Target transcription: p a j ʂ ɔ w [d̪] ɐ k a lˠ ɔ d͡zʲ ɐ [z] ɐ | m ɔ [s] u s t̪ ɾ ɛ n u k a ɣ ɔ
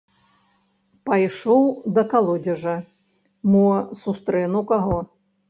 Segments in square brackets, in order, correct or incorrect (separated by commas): correct, incorrect, correct